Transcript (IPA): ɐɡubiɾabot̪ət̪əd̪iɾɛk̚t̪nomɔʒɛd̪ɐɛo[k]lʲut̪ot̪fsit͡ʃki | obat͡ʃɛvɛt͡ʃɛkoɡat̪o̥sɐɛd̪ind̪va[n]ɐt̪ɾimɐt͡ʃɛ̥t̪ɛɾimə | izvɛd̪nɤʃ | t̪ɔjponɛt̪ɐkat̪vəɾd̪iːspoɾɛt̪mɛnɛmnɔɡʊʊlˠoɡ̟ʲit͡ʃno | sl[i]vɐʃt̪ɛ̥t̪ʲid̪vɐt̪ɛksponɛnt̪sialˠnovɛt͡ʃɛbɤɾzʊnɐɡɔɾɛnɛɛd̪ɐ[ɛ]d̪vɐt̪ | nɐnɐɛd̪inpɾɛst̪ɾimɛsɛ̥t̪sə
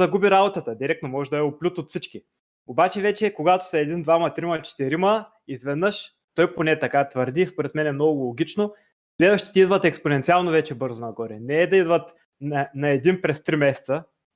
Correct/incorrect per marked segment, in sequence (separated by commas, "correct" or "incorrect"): incorrect, incorrect, incorrect, incorrect